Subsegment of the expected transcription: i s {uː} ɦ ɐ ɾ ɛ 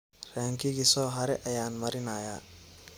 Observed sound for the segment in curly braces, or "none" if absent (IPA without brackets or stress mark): ɔː